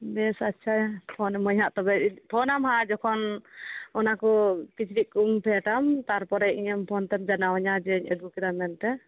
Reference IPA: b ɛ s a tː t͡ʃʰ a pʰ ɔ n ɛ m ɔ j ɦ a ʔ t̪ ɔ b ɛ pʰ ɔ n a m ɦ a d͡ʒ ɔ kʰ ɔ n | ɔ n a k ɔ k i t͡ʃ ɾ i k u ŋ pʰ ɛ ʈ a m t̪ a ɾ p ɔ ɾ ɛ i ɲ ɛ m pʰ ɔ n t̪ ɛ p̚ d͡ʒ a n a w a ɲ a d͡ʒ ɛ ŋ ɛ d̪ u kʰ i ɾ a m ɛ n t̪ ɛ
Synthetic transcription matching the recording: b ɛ s a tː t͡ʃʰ a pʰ ɔ n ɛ m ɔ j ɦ a ʔ t̪ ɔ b ɛ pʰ ɔ n a m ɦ a d͡ʒ ɔ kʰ ɔ n | ɔ n a k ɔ k i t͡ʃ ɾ i k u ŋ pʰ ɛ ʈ a m t̪ a ɾ p ɔ ɾ ɛ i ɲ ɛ m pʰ ɔ n t̪ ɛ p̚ d͡ʒ a n a w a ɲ a d͡ʒ ɛ ɲ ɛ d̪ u k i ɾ a m ɛ n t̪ ɛ